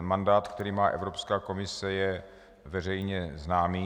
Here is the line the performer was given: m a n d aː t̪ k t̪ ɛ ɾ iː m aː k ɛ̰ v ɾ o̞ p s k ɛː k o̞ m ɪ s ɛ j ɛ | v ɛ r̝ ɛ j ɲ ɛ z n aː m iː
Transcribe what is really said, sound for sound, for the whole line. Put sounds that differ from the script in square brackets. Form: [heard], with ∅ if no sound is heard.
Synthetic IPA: m a n d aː t̪ k t̪ ɛ ɾ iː m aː [ʔ] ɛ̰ v ɾ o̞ p s k [aː] k o̞ m ɪ s ɛ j ɛ | v ɛ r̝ ɛ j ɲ ɛ z n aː m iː